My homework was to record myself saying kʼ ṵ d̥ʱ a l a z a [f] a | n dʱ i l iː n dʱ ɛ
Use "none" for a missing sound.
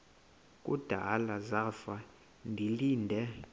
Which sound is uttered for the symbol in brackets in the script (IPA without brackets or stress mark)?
f